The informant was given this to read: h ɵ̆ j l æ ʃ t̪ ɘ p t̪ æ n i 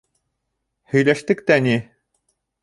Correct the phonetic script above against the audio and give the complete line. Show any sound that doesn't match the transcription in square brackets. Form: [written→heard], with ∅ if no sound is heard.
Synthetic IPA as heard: h ɵ̆ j l æ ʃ t̪ ɘ [p→k] t̪ æ n i